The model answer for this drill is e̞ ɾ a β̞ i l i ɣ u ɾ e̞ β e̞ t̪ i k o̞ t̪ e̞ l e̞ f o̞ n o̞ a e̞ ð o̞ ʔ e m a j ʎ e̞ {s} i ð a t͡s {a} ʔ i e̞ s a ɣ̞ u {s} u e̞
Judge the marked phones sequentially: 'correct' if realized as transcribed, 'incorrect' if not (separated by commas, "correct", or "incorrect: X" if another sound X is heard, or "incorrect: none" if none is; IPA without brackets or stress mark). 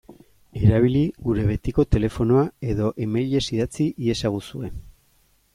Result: correct, incorrect: i, correct